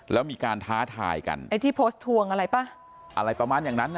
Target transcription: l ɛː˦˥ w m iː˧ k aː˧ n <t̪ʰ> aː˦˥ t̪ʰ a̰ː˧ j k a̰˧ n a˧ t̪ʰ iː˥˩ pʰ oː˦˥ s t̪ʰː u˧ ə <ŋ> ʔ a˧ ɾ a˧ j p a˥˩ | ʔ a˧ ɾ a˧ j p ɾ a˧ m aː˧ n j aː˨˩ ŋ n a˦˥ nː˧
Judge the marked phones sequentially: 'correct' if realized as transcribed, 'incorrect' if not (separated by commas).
correct, correct